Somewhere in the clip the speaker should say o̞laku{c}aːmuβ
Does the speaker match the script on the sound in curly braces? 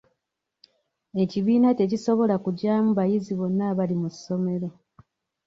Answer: no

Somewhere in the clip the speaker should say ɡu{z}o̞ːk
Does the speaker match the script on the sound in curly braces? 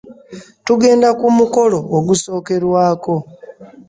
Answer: no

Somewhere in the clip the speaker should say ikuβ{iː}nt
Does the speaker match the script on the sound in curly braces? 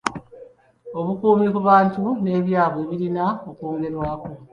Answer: no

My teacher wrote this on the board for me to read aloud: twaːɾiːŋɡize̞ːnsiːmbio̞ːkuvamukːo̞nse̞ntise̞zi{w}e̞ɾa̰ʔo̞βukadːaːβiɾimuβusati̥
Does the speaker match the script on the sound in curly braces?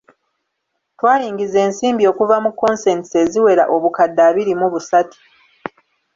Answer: yes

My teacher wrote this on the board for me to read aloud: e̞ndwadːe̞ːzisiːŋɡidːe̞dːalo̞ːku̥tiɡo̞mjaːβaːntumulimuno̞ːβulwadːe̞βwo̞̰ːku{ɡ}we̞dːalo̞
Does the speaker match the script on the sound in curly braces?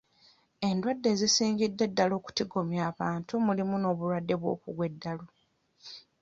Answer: yes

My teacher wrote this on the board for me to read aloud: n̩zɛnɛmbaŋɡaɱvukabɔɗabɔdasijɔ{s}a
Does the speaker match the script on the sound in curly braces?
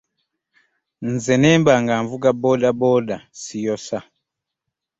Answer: yes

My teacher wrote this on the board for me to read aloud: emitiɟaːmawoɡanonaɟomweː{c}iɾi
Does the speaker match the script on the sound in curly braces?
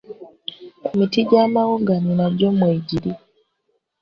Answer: no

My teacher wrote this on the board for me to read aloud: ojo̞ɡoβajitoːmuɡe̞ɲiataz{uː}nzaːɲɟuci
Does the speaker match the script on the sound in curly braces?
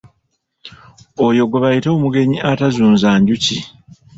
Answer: yes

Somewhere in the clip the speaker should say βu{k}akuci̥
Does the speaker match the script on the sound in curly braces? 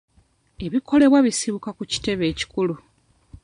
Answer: yes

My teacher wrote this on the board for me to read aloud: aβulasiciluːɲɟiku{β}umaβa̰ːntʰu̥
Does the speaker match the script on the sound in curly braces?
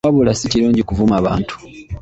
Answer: no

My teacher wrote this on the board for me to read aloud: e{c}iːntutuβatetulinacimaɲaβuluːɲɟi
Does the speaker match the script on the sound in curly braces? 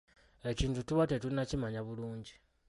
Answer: yes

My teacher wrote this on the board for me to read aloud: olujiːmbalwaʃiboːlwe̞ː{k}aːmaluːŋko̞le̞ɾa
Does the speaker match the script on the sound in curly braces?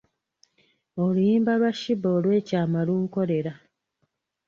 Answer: no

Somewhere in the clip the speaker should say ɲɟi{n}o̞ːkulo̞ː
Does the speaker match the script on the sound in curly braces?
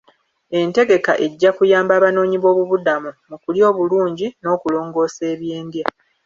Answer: yes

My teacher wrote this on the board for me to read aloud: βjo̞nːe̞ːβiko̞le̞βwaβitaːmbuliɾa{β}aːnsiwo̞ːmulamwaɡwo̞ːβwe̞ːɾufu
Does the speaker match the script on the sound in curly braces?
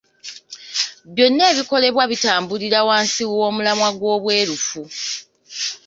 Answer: no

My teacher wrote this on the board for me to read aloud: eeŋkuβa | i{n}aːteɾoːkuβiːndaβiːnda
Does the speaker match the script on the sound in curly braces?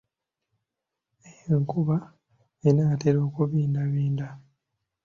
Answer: yes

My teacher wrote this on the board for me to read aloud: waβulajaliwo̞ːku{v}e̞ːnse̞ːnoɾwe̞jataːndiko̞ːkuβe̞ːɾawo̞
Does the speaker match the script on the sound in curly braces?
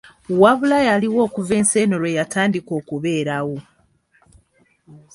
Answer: yes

